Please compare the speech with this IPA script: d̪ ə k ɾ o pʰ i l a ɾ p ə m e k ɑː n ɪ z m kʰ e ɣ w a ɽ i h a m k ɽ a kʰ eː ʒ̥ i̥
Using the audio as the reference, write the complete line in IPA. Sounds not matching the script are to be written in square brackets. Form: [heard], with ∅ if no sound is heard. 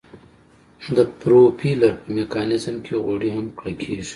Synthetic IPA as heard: d̪ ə [p] ɾ o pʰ i l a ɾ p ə m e k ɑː n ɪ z m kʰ e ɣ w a ɽ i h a m k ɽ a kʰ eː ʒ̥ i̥